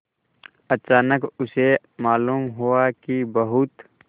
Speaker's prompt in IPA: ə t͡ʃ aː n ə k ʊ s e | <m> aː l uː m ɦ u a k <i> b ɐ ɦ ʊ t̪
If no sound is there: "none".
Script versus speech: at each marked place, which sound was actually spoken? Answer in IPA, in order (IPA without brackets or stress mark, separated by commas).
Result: m, i